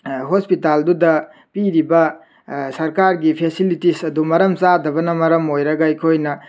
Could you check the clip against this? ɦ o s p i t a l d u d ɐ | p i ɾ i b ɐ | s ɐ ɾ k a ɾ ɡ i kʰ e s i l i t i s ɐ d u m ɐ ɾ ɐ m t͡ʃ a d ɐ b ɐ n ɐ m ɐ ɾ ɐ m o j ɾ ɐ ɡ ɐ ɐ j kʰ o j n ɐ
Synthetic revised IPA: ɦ o s p i t a l d u d ɐ | p i ɾ i b ɐ | s ɐ ɾ k a ɾ ɡ i pʰ e s i l i t i s ɐ d u m ɐ ɾ ɐ m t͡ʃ a d ɐ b ɐ n ɐ m ɐ ɾ ɐ m o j ɾ ɐ ɡ ɐ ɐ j kʰ o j n ɐ